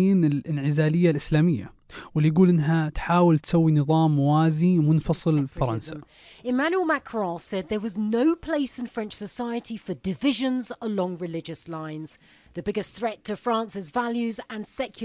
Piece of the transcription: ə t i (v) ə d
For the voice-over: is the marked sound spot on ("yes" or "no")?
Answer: no